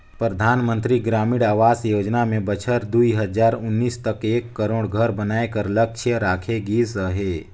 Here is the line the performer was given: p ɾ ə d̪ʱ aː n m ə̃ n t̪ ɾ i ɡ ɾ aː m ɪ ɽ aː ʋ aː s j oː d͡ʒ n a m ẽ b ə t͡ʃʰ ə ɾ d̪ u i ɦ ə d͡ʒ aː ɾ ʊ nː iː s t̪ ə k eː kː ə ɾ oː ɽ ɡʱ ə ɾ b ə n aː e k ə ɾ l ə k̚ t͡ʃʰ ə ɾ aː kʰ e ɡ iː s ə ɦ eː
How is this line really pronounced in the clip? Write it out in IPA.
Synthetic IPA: p ɾ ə d̪ʱ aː n m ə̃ n t̪ ɾ i ɡ ɾ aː m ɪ ɽ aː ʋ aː s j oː d͡ʒ n a m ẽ b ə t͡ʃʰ ə ɾ d̪ u i ɦ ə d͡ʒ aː ɾ ʊ nː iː s t̪ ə k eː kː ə ɾ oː ɽ ɡʱ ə ɾ b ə n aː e k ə ɾ l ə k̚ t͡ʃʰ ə ɾ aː kʰ e ɡ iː s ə ɦ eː